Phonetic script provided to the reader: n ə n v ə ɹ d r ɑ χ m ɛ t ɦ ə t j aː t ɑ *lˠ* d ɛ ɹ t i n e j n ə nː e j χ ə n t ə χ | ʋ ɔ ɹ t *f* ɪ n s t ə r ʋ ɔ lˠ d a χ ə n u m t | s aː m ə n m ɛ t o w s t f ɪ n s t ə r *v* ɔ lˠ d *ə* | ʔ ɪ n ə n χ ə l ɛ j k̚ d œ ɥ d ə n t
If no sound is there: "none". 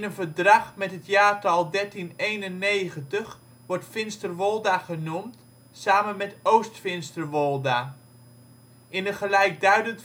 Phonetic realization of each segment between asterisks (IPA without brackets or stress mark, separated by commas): lˠ, f, ʋ, a